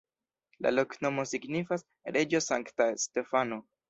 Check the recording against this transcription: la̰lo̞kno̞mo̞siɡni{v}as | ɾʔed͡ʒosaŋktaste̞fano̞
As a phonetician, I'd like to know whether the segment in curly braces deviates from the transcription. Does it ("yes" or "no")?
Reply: yes